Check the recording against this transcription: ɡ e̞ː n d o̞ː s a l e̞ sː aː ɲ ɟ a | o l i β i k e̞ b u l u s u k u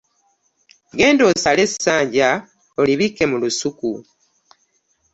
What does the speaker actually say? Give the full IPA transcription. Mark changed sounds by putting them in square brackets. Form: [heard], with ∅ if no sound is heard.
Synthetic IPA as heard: ɡ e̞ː n d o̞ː s a l e̞ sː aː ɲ ɟ a | o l i β i k e̞ [m] u l u s u k u